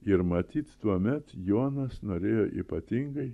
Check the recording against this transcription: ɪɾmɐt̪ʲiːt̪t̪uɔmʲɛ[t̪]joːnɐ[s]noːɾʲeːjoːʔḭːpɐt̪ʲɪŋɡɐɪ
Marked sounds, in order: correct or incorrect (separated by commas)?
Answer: correct, correct